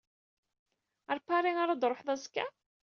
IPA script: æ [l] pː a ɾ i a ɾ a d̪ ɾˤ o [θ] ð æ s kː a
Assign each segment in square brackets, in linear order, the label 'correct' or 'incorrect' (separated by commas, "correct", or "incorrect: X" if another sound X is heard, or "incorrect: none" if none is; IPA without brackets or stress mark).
incorrect: ɾ, incorrect: ħ